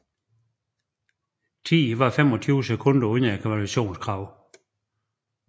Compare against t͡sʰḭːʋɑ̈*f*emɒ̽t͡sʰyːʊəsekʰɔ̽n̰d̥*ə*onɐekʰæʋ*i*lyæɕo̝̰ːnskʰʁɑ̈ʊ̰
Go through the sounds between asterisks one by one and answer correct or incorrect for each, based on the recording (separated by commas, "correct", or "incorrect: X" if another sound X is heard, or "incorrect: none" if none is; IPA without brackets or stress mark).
correct, incorrect: ɐ, incorrect: æ